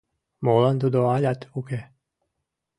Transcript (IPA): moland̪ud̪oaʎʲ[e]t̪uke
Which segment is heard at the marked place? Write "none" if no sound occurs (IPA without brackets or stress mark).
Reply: a